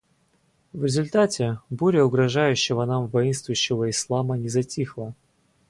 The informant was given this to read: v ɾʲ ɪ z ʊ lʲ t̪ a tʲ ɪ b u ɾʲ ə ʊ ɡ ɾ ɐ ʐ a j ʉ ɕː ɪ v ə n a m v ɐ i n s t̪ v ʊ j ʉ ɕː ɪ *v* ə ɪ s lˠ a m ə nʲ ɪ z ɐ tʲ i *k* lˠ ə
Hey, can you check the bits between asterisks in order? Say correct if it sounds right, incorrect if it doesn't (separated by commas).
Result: correct, incorrect